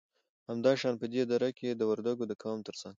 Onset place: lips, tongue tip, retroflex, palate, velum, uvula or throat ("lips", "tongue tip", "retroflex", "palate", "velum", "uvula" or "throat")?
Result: throat